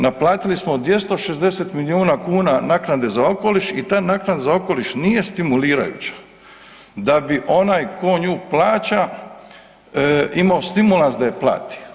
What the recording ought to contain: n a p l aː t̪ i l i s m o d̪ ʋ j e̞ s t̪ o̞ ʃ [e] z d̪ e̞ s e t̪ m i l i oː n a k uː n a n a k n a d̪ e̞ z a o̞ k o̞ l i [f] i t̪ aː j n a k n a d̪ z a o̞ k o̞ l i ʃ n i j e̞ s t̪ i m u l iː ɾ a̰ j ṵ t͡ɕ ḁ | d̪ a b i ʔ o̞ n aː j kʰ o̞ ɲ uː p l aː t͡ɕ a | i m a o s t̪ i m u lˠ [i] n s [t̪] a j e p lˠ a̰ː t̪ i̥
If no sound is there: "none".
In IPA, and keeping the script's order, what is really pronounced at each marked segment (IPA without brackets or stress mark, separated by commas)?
e, ʃ, a, d̪